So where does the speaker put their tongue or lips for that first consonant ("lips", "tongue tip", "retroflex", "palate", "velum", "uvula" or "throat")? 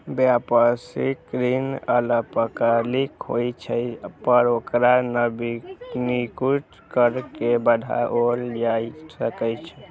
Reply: lips